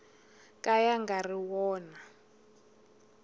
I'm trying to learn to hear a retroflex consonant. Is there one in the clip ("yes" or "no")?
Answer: no